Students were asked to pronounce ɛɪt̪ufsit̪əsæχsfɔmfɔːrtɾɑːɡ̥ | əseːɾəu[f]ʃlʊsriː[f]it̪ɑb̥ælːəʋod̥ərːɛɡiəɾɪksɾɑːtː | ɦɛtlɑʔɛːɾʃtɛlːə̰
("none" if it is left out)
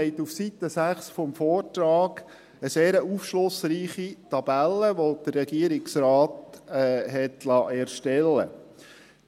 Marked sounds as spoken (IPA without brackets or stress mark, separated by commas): f, χ